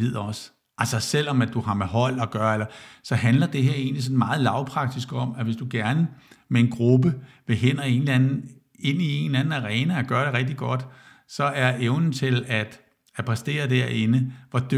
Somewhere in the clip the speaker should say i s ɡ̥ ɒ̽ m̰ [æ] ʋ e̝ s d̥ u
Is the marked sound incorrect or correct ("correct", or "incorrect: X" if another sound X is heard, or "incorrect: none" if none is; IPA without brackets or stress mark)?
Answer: correct